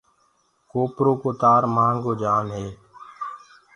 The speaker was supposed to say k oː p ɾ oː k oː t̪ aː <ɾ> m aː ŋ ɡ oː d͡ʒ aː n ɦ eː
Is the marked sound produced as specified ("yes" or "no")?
yes